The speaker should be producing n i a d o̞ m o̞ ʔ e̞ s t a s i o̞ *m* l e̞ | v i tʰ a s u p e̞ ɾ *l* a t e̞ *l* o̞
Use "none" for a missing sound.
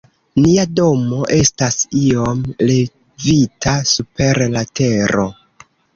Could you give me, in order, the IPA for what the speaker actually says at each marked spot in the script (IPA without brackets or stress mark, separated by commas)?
m, l, ɾ